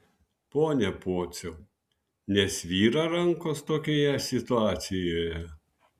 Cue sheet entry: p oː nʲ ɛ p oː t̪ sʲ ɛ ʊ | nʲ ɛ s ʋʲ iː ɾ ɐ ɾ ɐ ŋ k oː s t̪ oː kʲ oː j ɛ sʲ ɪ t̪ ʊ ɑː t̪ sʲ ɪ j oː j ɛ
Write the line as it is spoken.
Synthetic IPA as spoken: p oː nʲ ɛ p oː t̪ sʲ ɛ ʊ | nʲ ɛ s ʋʲ iː ɾ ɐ ɾ ɐ ŋ k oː s t̪ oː kʲ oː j ɛ sʲ ɪ t̪ ʊ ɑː t̪ sʲ ɪ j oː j ɛ